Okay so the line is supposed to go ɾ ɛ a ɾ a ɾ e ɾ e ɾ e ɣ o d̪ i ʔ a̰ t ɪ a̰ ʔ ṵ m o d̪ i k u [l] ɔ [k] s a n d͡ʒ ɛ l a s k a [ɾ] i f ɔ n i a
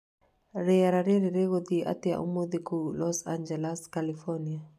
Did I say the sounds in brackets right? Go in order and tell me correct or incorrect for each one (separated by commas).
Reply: correct, incorrect, incorrect